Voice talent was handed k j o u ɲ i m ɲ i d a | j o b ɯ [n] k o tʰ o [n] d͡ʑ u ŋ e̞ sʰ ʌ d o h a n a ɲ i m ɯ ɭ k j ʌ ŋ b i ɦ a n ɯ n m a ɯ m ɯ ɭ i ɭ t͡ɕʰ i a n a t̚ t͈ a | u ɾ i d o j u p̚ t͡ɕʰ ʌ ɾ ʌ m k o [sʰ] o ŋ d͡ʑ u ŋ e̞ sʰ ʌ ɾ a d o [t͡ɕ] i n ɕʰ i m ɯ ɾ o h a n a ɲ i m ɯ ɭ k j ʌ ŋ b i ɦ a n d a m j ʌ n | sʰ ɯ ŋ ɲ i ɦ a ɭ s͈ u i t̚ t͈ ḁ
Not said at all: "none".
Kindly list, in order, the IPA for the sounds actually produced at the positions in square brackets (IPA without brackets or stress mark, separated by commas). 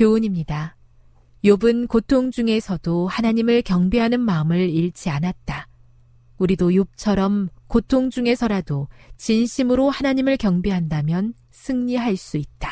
n, ŋ, tʰ, t͡ɕ